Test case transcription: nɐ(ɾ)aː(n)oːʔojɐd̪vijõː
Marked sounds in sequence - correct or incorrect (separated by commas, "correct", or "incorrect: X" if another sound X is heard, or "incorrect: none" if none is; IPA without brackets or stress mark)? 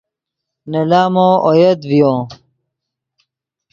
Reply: incorrect: l, incorrect: m